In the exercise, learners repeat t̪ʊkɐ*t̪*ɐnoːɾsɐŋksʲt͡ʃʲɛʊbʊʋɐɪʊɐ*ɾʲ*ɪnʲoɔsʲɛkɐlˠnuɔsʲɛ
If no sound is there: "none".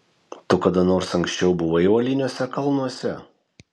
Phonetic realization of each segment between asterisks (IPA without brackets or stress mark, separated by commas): d̪, lʲ